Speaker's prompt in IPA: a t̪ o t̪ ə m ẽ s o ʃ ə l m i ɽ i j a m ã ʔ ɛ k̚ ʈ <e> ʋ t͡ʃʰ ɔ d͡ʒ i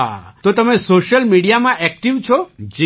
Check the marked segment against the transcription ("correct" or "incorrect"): incorrect